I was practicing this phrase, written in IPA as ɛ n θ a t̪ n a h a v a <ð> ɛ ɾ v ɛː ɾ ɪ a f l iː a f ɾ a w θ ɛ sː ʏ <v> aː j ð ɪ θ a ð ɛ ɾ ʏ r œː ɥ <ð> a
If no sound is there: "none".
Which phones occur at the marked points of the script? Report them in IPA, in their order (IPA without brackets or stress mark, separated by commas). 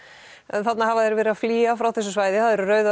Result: ð, v, ð